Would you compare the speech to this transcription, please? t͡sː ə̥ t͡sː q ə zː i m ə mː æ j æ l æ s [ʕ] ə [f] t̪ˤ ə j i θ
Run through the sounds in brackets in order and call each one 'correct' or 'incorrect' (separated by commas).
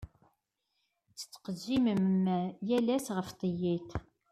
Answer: incorrect, correct